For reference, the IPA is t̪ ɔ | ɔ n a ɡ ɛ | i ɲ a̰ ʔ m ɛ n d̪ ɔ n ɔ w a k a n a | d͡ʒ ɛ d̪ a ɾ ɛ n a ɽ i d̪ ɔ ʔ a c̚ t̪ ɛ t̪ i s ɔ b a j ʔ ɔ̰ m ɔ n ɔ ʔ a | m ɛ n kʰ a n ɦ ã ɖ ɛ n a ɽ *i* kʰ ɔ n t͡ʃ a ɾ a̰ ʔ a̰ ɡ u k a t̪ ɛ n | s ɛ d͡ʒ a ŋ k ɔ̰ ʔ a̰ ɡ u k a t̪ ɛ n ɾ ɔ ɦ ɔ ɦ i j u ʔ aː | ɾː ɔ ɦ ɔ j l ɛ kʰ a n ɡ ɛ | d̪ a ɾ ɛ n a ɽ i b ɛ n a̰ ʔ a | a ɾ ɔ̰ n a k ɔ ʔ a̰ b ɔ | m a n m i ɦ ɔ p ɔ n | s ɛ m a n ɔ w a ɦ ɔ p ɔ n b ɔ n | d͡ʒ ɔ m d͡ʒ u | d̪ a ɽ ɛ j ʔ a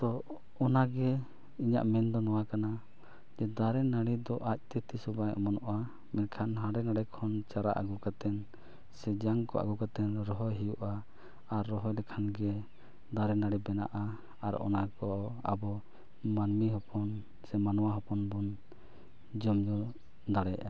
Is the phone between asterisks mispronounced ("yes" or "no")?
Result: yes